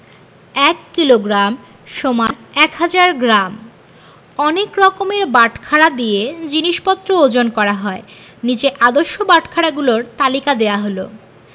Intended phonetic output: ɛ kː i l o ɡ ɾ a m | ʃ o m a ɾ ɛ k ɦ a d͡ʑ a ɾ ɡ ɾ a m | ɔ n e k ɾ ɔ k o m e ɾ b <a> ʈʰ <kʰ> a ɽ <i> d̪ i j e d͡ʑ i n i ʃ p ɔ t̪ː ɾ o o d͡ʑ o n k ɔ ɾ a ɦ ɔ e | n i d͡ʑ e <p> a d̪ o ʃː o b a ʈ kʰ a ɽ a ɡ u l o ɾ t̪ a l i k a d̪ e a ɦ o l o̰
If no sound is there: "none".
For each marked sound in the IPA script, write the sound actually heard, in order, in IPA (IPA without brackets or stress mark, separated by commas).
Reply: a, kʰ, a, ʔ